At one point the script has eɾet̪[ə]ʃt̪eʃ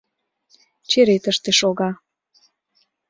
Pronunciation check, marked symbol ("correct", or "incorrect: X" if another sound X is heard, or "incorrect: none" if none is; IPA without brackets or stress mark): correct